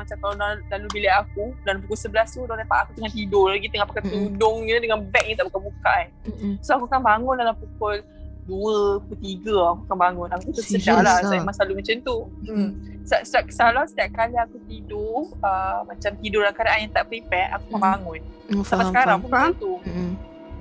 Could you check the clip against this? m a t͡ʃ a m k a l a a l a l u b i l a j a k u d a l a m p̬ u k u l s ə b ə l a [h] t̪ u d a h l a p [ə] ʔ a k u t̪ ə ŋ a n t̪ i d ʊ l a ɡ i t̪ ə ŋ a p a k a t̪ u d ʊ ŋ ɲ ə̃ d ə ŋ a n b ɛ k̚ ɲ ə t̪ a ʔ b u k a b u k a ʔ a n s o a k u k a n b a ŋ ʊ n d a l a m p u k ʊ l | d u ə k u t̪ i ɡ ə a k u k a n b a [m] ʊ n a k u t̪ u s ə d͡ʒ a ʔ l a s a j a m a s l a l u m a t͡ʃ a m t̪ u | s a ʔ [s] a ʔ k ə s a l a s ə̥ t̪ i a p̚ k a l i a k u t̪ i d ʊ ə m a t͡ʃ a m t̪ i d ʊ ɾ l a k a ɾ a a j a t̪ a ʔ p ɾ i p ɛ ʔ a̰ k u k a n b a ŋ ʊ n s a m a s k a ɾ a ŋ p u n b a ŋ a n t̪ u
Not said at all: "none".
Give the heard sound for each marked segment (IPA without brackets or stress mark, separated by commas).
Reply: s, a, ŋ, s